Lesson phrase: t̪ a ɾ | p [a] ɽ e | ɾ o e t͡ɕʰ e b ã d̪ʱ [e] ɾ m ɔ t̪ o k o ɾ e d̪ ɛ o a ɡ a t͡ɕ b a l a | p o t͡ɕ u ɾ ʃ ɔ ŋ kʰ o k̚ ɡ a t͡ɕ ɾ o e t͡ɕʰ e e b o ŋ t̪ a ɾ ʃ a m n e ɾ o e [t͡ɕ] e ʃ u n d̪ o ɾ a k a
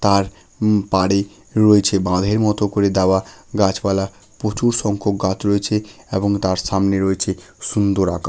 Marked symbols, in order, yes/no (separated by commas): yes, yes, no